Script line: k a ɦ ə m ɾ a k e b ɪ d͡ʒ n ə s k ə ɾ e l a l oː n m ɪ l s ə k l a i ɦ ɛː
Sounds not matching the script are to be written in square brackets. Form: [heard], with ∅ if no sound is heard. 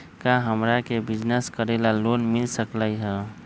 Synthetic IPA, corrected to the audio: k a ɦ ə m ɾ a k e b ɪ d͡ʒ n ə s k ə ɾ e l a l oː n m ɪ l s ə k l a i ɦ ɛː